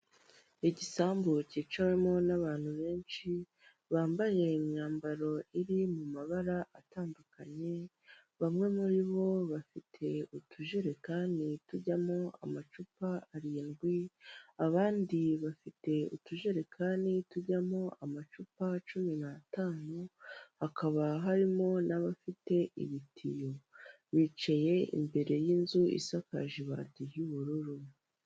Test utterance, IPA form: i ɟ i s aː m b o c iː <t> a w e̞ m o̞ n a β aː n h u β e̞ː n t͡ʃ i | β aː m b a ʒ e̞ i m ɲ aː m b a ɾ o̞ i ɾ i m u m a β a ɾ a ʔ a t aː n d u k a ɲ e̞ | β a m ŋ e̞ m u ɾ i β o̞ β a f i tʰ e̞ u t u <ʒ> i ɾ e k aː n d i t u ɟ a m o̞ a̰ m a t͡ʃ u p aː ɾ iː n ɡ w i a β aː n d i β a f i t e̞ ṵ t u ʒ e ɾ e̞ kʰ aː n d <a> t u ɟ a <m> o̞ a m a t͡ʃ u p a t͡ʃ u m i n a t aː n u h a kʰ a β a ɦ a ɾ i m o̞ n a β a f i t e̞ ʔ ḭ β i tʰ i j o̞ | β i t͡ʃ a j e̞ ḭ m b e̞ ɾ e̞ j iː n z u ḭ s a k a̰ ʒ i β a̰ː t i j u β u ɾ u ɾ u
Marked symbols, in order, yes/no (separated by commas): no, yes, no, yes